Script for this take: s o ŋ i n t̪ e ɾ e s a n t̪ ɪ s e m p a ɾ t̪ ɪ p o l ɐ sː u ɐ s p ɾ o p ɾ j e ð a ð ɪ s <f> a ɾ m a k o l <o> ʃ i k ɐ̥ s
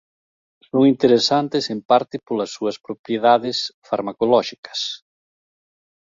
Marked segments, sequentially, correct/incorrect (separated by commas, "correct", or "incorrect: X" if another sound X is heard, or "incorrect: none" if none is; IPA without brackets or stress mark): correct, incorrect: ɔ